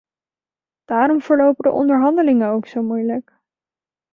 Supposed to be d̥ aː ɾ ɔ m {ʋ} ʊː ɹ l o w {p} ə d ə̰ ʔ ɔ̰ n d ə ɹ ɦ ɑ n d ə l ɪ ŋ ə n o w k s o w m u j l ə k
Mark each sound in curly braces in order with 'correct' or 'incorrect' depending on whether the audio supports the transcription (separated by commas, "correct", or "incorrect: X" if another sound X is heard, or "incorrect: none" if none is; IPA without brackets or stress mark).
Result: incorrect: v, correct